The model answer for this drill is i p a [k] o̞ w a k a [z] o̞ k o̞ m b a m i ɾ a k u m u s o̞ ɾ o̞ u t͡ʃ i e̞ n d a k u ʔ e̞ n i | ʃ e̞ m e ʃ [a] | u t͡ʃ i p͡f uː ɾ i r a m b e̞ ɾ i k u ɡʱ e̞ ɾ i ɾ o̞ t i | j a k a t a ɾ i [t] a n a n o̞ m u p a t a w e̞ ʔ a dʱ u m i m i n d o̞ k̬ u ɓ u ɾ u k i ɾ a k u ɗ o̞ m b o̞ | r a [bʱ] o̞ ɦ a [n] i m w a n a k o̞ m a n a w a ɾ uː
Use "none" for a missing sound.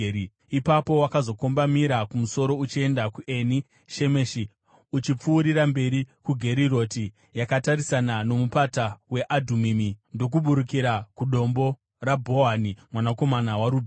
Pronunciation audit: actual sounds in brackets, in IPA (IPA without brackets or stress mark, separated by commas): p, z, i, s, bʱ, n